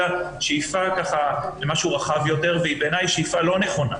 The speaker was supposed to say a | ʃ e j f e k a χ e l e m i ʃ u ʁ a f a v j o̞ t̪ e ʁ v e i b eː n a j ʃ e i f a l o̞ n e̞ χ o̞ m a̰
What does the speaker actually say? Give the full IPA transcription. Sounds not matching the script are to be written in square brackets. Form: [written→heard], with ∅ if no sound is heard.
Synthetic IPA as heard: a | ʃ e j f [e→a] k a χ [e→a] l e m [i→a] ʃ u ʁ a [f→χ] a v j o̞ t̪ e ʁ v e i b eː n a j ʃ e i f a l o̞ n e̞ χ o̞ [m→n] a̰